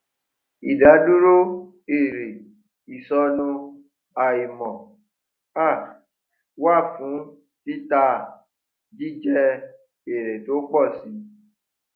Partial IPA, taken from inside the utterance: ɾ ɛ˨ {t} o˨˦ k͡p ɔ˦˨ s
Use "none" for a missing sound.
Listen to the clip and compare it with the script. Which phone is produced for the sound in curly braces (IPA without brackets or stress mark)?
t